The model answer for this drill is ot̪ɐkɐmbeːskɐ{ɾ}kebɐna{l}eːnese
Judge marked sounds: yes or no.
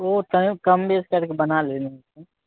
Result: yes, yes

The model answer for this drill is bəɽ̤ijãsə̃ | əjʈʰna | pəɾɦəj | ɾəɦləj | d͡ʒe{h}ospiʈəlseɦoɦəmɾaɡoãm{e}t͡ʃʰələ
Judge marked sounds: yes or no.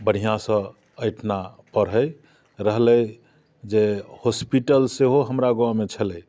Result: yes, yes

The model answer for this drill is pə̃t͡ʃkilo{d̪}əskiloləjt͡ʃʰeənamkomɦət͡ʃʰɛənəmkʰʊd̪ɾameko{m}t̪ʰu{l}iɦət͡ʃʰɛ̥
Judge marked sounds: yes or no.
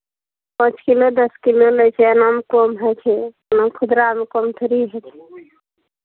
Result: yes, yes, no

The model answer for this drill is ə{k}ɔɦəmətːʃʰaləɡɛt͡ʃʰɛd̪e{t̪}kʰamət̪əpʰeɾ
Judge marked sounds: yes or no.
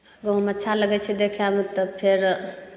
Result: no, no

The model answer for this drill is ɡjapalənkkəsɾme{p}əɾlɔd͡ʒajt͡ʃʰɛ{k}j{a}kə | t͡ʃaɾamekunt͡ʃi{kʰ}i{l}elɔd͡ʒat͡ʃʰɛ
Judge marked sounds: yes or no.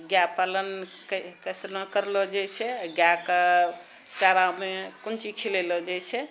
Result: no, no, yes, yes, yes

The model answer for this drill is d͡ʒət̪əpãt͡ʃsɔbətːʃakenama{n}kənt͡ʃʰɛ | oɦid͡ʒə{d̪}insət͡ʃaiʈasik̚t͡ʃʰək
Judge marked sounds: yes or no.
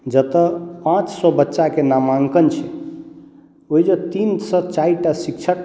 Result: no, no

